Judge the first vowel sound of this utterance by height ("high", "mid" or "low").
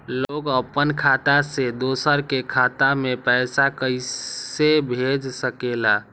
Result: mid